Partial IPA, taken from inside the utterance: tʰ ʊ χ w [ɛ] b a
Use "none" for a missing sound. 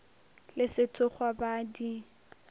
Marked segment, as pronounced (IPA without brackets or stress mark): a